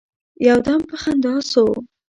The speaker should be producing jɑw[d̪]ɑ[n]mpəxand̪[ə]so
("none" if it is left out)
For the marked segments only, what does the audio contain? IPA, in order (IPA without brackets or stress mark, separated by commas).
d̪, none, ɑ